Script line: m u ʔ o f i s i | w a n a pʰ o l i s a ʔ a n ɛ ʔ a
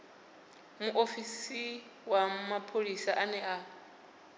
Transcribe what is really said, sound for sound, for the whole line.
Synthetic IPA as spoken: m u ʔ o f i s i | w a m a pʰ o l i s a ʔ a n ɛ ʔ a